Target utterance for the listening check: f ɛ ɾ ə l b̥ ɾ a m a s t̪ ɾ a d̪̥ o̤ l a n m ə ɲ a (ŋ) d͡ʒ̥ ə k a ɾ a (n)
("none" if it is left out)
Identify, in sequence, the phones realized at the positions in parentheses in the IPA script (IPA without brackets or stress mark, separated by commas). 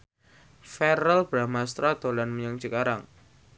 ŋ, ŋ